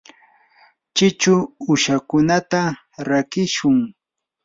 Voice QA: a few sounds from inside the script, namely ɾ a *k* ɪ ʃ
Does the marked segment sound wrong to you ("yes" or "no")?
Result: no